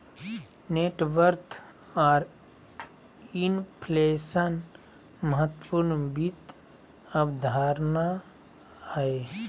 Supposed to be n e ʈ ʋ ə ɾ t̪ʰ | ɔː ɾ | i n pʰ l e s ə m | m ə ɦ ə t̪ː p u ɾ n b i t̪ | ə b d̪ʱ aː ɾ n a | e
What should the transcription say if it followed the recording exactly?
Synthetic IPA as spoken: n e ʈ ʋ ə ɾ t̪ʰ | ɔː ɾ | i n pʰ l e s ə n | m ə ɦ ə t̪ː p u ɾ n b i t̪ | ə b d̪ʱ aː ɾ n a | e